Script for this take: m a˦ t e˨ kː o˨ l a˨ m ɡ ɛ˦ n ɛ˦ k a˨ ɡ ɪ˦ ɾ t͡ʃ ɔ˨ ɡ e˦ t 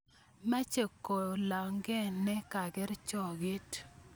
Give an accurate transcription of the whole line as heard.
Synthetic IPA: m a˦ t͡ʃ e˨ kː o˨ l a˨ ŋ ɡ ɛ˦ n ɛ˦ k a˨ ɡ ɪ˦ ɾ t͡ʃ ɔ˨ ɡ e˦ t